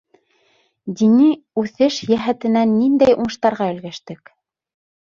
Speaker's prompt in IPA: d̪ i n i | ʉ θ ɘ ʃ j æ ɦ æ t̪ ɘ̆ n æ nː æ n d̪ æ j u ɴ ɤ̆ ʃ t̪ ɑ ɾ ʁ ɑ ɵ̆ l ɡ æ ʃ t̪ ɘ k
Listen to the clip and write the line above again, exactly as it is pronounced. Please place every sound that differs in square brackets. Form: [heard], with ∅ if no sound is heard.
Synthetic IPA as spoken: d̪ i n i | ʉ θ ɘ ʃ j æ ɦ æ t̪ ɘ̆ n æ nː [i] n d̪ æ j u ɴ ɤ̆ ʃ t̪ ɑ ɾ ʁ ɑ ɵ̆ l ɡ æ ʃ t̪ ɘ k